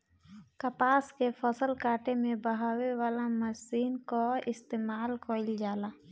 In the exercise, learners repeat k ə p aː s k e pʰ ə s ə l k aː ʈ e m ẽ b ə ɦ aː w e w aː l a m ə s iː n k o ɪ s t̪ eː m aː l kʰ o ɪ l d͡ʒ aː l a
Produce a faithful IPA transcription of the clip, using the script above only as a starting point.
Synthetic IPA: k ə p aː s k e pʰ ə s ə l k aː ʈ e m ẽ b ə ɦ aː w e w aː l a m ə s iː n k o ɪ s t̪ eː m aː l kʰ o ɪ l d͡ʒ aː l a